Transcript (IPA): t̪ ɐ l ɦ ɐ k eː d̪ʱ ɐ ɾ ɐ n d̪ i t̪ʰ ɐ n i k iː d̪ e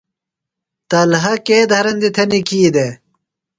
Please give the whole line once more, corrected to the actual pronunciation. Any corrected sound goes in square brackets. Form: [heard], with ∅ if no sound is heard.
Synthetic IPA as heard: t̪ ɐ l ɦ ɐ k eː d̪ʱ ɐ ɾ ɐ n d̪ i t̪ʰ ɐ n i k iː d̪ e